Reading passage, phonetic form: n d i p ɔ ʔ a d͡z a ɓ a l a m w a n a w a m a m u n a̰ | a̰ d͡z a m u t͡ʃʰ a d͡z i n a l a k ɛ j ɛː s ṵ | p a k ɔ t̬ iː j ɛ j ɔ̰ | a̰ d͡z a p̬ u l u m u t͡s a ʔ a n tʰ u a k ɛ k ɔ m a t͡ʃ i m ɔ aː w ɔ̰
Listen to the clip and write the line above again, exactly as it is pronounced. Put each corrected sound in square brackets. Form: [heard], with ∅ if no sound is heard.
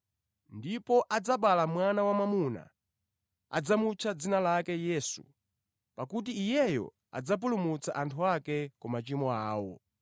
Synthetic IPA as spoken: n d i p ɔ ʔ a d͡z a ɓ a l a m w a n a w a m a m u n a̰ | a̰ d͡z a m u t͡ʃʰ a d͡z i n a l a k ɛ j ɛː s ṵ | p a k [u] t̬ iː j ɛ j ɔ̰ | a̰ d͡z a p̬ u l u m u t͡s a ʔ a n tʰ u a k ɛ k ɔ m a t͡ʃ i m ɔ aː w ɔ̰